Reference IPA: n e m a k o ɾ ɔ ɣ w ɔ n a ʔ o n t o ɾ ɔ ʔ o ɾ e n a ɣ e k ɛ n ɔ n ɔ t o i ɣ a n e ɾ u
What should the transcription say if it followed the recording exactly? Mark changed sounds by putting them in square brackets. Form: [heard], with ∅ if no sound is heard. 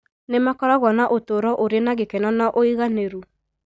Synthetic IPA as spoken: n e m a k [ɔ] ɾ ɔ ɣ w ɔ n a ʔ o [∅] t o ɾ ɔ ʔ o ɾ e n a ɣ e k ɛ n ɔ n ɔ [ʔ] o i ɣ a n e ɾ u